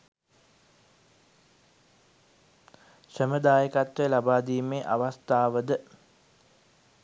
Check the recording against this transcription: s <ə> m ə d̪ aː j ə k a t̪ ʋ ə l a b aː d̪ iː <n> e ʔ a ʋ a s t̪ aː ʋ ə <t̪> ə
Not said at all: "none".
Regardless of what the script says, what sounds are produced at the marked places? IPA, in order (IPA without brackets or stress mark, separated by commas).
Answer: ə, m, d̪